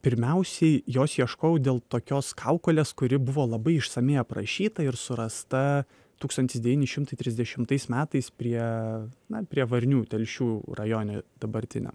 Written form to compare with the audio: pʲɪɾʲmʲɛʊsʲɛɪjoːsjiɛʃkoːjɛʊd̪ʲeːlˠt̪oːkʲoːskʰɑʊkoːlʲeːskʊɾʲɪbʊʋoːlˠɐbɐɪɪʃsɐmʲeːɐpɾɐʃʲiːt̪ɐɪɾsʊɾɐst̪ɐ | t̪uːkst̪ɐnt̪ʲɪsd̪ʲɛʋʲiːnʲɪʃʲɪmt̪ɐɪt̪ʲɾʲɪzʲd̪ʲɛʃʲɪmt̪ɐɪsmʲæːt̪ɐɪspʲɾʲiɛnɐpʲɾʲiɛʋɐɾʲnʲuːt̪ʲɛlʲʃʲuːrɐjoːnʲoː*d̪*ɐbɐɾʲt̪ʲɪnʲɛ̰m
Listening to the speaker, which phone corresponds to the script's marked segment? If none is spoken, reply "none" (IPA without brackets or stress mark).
d̪